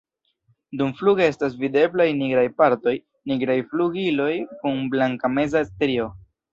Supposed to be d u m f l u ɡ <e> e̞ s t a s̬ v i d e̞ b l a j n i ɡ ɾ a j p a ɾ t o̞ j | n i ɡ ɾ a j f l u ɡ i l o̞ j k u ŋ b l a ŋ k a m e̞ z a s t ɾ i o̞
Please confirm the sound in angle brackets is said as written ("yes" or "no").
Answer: yes